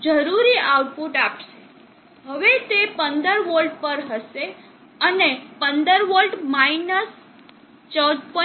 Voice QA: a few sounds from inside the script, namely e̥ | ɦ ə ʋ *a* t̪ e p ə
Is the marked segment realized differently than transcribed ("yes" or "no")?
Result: yes